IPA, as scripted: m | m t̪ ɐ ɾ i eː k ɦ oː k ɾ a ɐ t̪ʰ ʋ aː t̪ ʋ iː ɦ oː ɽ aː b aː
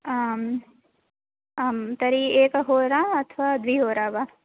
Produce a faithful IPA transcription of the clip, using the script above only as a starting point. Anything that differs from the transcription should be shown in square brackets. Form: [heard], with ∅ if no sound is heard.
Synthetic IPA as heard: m | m t̪ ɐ ɾ i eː k ɦ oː [∅] ɾ a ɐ t̪ʰ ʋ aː [d̪] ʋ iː ɦ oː [ɾ] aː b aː